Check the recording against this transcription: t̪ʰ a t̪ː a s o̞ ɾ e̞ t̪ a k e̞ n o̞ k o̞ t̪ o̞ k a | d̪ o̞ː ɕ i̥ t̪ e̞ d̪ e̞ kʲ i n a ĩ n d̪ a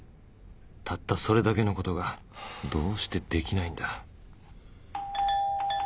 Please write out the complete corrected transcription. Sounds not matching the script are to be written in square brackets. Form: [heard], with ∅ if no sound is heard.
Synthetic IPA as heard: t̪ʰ a t̪ː a s o̞ ɾ e̞ [d̪] a k e̞ n o̞ k o̞ t̪ o̞ [ɡ] a | d̪ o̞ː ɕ i̥ t̪ e̞ d̪ e̞ kʲ i n a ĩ n d̪ a